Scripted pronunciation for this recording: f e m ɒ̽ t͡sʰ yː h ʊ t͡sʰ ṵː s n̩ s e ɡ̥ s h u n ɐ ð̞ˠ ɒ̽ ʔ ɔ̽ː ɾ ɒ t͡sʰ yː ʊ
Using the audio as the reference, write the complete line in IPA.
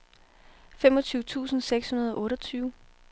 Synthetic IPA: f e m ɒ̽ t͡sʰ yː ʊ t͡sʰ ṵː s n̩ s e ɡ̥ s h u n ɐ ð̞ˠ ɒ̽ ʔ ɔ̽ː ɾ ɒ t͡sʰ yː ʊ

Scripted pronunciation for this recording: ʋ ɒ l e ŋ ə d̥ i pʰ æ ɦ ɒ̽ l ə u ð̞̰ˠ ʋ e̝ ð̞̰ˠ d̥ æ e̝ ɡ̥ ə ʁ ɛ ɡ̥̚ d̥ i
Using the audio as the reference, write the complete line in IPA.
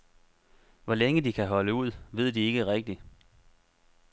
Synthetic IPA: ʋ ɒ l e ŋ ə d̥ i kʰ æ ɦ ɒ̽ l ə u ð̞̰ˠ ʋ e̝ ð̞̰ˠ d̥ i e̝ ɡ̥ ə ʁ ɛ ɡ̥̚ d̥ i

